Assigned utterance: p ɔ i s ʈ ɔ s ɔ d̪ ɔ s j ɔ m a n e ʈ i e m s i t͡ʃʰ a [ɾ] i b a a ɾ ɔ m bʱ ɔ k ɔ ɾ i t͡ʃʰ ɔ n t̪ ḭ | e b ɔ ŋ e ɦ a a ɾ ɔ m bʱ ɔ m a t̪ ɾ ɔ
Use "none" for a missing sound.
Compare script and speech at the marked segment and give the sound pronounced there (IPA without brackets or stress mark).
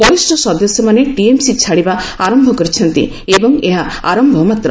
ɽ